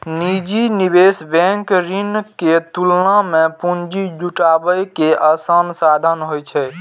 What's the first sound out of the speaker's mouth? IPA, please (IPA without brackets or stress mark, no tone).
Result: n